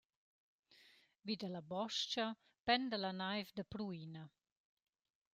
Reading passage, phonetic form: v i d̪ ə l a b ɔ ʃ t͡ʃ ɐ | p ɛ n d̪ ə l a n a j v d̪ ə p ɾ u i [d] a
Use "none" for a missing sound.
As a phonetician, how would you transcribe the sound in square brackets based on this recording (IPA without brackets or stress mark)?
n